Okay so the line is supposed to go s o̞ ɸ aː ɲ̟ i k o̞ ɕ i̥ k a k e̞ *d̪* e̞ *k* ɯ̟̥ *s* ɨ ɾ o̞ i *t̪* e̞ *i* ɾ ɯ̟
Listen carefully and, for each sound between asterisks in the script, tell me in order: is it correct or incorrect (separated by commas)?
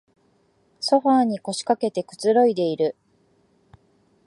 incorrect, correct, incorrect, incorrect, correct